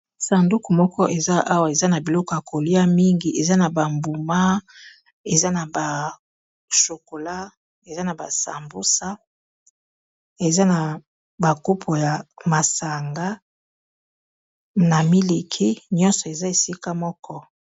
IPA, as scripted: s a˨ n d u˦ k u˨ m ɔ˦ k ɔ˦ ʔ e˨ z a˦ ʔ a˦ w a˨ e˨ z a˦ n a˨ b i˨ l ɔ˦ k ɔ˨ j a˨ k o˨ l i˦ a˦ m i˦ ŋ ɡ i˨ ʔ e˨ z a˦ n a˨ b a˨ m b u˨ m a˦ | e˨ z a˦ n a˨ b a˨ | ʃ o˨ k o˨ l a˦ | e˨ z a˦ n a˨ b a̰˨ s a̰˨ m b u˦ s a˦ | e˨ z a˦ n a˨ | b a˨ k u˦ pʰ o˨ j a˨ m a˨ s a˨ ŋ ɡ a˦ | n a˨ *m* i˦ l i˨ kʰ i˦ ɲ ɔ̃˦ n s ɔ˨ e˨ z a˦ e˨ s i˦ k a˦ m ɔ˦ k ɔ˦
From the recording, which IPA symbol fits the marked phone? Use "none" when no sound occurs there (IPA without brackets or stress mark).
m